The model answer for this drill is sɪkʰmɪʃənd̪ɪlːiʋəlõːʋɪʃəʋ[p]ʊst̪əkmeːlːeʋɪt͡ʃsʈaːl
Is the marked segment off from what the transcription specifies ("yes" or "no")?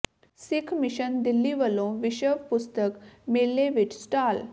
no